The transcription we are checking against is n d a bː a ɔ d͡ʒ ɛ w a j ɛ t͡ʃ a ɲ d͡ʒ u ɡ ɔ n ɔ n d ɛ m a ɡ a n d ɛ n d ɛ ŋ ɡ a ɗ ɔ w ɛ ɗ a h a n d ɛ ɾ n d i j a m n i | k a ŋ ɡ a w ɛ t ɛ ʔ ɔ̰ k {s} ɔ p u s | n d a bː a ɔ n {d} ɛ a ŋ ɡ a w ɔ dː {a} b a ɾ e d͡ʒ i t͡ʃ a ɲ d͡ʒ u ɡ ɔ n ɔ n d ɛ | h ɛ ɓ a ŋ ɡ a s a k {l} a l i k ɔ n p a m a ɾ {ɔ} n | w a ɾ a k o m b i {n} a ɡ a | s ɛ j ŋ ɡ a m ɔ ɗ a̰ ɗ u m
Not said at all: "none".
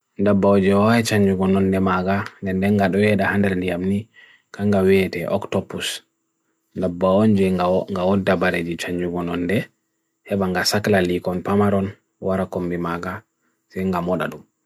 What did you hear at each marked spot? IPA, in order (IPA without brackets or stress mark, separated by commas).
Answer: t, d͡ʒ, a, l, ɔ, m